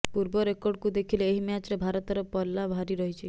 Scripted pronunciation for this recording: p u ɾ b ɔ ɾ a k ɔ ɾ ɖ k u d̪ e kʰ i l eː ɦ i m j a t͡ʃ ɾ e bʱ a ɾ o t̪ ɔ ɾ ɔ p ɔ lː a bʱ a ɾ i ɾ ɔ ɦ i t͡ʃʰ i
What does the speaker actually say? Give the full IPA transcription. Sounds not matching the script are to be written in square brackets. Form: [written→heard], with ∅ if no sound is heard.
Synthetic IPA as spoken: p u ɾ b ɔ ɾ [a→e] k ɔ ɾ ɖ k u d̪ e kʰ i l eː ɦ i m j a t͡ʃ ɾ e bʱ a ɾ [o→ɔ] t̪ ɔ ɾ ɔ p ɔ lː a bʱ a ɾ i ɾ ɔ ɦ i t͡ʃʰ i